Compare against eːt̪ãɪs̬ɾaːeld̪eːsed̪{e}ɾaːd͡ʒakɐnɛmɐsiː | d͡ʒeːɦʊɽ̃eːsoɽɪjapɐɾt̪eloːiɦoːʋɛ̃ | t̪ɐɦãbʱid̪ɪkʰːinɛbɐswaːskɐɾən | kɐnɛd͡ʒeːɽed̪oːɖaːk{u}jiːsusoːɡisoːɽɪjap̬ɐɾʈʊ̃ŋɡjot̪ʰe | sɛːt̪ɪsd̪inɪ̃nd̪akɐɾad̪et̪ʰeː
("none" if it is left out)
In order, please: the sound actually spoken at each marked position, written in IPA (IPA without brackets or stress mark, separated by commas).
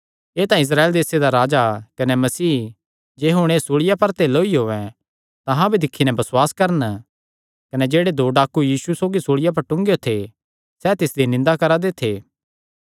a, u